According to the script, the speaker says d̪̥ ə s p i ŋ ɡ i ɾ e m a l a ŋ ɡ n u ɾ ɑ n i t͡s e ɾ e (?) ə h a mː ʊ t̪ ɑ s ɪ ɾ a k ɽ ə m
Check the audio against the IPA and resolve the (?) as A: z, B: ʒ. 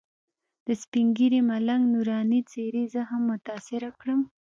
A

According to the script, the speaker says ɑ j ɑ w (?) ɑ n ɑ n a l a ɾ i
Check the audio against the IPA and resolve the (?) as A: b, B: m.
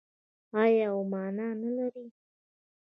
B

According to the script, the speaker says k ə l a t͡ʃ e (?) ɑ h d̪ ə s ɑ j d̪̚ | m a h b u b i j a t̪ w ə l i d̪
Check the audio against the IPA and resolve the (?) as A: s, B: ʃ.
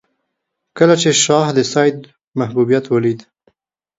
B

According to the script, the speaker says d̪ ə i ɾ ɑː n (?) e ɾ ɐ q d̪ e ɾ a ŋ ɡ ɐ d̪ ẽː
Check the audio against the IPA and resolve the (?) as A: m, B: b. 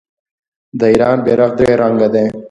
B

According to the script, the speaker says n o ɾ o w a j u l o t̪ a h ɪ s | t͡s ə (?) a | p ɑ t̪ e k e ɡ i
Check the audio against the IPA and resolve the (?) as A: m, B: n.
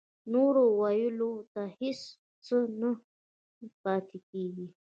B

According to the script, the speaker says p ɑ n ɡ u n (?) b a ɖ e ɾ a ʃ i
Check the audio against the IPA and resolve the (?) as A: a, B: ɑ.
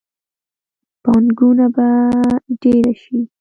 A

